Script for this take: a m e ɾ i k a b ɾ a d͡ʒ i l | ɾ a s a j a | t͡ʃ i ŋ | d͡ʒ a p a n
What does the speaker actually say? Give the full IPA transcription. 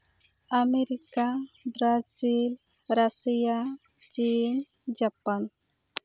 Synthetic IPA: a m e ɾ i k a b ɾ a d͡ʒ i l | ɾ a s i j a | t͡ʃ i n | d͡ʒ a p a n